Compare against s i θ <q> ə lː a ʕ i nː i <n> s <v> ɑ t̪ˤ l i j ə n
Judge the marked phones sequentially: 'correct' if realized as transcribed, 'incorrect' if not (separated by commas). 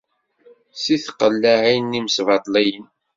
correct, incorrect, correct